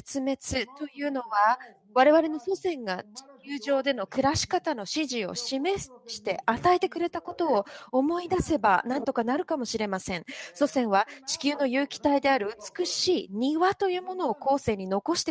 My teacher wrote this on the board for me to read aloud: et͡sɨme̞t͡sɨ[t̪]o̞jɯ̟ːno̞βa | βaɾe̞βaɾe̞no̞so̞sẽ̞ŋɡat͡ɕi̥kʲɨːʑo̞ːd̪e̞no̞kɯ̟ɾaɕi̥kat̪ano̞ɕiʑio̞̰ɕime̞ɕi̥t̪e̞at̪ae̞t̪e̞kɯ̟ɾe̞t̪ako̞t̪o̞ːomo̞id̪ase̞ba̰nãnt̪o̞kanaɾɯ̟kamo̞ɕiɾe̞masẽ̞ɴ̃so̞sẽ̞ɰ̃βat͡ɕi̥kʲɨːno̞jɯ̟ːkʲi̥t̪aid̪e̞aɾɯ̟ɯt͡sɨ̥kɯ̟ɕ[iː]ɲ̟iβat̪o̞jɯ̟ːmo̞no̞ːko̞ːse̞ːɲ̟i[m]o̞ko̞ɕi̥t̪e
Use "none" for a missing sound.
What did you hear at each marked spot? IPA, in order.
t̪, iː, n

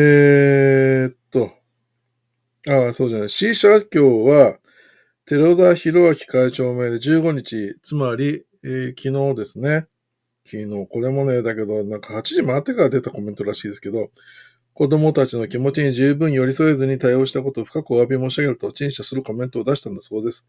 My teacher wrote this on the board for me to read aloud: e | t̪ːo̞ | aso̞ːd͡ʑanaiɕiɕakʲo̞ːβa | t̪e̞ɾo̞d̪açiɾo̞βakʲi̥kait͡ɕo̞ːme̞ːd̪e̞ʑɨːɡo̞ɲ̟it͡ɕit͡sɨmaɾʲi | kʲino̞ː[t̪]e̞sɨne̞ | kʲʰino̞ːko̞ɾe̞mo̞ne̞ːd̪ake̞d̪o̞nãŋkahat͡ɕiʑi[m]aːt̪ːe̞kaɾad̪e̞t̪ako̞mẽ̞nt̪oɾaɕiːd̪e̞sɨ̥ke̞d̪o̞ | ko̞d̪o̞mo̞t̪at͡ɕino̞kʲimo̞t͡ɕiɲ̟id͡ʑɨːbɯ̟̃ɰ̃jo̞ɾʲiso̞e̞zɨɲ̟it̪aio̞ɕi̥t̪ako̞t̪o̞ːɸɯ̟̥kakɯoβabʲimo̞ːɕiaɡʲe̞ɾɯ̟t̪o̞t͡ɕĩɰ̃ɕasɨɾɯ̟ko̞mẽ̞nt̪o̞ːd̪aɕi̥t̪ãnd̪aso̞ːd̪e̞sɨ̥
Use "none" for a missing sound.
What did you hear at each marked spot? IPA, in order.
d̪, m

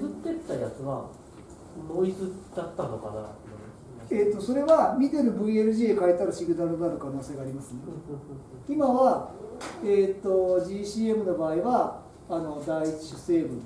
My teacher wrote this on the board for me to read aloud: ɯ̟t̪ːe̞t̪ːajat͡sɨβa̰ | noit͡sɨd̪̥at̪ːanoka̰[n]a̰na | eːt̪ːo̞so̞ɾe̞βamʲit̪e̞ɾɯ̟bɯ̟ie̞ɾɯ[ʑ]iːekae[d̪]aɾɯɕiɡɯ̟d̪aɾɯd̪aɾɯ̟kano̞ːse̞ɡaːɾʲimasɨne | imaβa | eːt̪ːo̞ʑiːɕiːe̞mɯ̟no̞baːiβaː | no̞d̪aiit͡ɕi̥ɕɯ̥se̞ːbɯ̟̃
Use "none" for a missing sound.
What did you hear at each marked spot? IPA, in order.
n, ʑ, t̪

